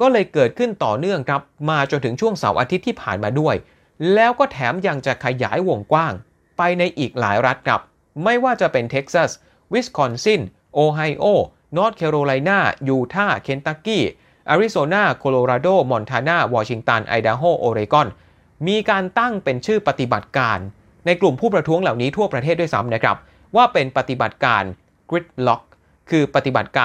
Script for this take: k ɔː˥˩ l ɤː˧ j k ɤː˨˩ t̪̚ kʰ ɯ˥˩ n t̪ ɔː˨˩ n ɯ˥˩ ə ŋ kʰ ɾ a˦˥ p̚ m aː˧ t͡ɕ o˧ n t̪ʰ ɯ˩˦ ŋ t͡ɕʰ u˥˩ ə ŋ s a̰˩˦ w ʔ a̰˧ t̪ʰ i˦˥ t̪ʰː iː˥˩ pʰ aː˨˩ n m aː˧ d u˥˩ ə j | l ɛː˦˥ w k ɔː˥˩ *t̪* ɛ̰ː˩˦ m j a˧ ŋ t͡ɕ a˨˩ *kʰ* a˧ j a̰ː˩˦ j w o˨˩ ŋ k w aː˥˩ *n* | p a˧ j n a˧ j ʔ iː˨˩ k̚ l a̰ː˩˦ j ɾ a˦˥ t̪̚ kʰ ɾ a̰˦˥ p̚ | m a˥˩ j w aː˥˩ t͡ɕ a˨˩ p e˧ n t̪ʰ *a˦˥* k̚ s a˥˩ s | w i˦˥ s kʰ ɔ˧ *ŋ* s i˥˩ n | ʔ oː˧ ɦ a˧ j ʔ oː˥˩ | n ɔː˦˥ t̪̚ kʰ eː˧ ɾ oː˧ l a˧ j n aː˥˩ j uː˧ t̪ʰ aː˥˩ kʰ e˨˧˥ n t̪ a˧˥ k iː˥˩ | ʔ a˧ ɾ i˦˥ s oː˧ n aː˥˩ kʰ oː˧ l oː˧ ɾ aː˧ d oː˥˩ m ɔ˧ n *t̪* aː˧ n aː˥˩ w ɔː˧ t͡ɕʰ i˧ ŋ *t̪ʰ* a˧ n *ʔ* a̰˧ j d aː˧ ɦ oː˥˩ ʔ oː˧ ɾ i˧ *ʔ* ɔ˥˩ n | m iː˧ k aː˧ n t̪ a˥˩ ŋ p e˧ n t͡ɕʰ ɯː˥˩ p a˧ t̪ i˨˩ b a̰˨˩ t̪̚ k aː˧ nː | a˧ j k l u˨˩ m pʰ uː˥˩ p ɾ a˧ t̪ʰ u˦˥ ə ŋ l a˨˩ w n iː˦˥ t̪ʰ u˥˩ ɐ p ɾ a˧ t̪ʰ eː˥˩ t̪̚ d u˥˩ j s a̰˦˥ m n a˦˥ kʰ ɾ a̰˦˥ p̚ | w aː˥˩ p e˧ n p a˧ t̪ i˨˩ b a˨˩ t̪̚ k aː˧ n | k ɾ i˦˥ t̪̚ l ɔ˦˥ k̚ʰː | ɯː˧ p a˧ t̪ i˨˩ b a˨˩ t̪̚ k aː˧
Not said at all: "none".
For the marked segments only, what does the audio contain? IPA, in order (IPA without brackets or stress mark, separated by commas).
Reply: t̪ʰ, kʰ, ŋ, e˦˥, n, t̪ʰ, t̪, ʔ, k